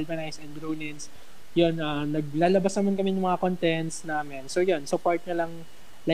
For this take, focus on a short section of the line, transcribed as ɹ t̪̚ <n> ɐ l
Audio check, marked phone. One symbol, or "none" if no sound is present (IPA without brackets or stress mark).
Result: ɲ